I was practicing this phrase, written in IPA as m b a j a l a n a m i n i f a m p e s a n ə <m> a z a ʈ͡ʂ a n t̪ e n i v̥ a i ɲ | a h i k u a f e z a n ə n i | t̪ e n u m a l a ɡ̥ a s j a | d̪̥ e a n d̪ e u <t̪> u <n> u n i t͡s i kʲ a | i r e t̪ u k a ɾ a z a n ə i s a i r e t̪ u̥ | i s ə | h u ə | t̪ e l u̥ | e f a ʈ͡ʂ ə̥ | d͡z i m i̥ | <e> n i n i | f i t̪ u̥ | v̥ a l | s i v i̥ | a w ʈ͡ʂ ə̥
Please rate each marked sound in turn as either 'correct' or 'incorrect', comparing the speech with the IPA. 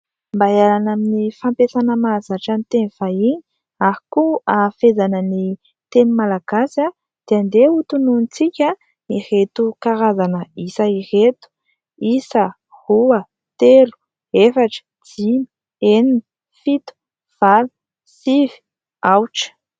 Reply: correct, correct, correct, correct

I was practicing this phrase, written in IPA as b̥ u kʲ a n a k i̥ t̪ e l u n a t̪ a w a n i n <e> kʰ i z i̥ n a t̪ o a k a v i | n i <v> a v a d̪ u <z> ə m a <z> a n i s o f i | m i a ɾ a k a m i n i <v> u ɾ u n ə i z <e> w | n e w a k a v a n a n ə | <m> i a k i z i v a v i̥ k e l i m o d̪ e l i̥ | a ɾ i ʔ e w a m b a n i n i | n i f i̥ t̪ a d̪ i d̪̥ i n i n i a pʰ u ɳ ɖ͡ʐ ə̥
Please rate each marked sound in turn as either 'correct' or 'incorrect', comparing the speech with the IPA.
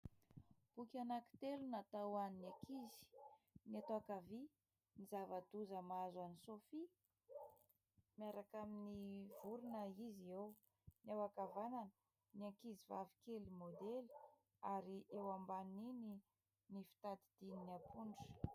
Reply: incorrect: a, incorrect: z, correct, correct, correct, correct, incorrect: n

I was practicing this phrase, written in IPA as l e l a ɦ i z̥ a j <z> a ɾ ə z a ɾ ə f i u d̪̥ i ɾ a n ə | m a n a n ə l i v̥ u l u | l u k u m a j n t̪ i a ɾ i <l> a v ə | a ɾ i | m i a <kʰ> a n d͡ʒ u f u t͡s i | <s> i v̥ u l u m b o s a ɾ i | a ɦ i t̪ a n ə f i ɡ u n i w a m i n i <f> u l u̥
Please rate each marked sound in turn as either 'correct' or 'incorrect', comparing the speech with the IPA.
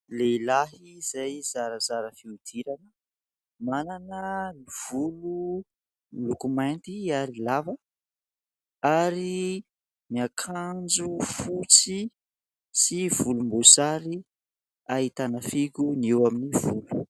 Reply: correct, correct, correct, correct, incorrect: v

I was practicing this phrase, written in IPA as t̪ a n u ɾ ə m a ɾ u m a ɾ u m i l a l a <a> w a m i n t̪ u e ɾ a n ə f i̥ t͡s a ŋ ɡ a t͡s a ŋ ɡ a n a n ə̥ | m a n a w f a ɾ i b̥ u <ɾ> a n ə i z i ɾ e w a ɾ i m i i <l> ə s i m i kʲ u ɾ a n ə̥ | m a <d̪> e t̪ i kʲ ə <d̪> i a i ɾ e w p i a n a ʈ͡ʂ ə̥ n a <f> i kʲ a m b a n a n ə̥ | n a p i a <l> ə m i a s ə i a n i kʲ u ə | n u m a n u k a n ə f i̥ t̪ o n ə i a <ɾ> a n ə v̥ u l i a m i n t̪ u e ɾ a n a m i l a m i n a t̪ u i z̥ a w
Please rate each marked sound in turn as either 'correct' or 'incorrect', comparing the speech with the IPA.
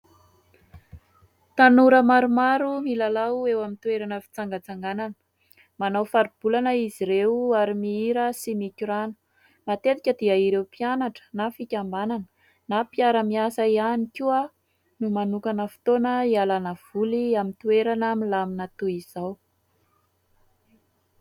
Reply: incorrect: e, incorrect: l, incorrect: ɾ, incorrect: t̪, correct, correct, incorrect: ɾ, incorrect: l

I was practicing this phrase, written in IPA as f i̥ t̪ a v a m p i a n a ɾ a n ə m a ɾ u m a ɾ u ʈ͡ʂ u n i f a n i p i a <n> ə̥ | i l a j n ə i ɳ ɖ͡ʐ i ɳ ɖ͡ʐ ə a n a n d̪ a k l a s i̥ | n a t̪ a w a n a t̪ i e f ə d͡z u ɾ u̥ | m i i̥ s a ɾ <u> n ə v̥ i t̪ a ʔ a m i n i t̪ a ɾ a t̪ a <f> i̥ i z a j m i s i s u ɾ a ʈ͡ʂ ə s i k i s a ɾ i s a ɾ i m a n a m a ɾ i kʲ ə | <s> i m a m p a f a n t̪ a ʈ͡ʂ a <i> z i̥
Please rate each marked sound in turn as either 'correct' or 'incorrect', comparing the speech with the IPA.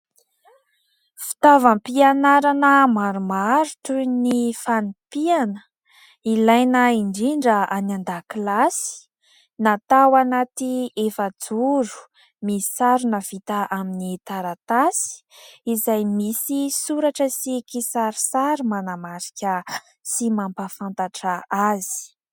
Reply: correct, correct, incorrect: s, correct, incorrect: a

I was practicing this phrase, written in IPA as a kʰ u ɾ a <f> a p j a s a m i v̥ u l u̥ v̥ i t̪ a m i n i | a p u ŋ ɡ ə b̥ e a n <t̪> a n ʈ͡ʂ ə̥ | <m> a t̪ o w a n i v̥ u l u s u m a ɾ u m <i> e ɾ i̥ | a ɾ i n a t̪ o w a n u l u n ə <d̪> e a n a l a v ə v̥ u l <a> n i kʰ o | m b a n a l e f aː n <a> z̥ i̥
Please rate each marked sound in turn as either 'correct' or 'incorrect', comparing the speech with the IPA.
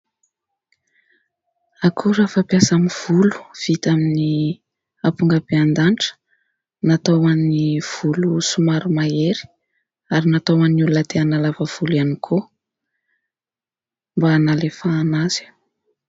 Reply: correct, incorrect: d̪, incorrect: n, incorrect: a, incorrect: t̪, correct, correct

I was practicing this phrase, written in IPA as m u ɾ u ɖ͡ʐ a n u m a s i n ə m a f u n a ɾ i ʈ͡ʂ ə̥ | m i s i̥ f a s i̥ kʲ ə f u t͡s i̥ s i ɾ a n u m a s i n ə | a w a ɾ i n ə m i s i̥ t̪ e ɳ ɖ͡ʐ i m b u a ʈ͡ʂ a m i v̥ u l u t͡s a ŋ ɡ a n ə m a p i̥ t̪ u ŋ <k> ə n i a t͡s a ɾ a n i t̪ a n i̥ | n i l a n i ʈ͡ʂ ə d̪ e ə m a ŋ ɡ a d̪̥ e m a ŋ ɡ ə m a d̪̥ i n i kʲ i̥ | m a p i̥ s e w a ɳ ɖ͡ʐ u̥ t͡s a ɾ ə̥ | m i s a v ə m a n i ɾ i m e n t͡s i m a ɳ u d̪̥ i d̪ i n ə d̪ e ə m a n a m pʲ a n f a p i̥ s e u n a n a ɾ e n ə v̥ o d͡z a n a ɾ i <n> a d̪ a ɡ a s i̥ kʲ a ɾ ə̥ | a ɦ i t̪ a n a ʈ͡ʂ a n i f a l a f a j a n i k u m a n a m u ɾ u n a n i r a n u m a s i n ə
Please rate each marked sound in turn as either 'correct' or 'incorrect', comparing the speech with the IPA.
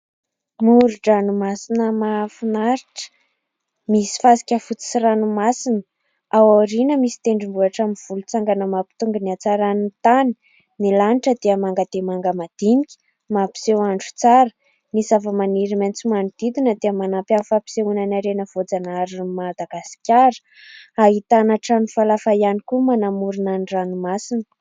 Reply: incorrect: ɡ, incorrect: m

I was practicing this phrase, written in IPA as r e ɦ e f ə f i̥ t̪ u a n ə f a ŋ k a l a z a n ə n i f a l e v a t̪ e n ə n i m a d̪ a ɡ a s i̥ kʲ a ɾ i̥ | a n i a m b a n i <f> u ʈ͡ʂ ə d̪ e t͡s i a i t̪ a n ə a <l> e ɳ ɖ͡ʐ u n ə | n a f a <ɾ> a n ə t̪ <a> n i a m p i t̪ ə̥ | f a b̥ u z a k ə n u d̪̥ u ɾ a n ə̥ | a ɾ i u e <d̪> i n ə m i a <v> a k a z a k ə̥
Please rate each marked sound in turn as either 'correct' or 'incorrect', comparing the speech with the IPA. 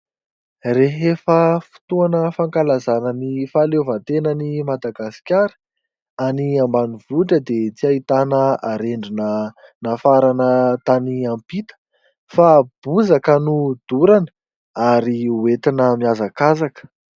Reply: incorrect: v, incorrect: ɾ, correct, correct, incorrect: t̪, incorrect: z

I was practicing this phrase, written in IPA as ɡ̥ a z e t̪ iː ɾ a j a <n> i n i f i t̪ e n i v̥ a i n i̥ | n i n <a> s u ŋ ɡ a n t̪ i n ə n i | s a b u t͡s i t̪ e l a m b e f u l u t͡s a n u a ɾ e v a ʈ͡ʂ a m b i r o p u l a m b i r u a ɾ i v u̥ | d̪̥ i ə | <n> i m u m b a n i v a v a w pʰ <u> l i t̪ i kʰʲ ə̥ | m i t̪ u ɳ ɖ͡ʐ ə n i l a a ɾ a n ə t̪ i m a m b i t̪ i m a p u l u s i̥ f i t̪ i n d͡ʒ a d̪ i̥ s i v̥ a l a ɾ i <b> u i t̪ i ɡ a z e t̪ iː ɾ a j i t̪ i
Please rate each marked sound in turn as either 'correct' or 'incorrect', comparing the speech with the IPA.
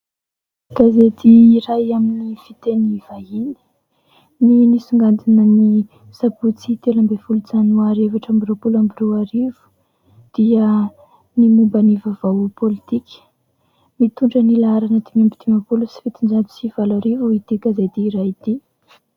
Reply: incorrect: m, incorrect: i, correct, incorrect: o, incorrect: v

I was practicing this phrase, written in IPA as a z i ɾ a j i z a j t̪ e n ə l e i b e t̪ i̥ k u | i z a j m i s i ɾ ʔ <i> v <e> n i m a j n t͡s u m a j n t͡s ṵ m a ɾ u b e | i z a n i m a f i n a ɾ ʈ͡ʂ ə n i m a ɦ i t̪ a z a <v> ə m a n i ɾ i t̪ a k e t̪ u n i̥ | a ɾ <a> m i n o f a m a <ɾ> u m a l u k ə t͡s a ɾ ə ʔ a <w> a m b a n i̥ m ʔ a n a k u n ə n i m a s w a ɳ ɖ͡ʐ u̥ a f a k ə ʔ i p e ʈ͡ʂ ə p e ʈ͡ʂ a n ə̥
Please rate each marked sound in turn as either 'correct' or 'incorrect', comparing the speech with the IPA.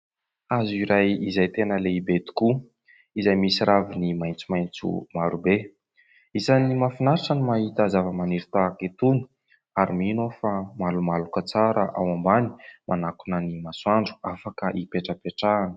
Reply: incorrect: a, incorrect: i, correct, incorrect: i, incorrect: l, correct

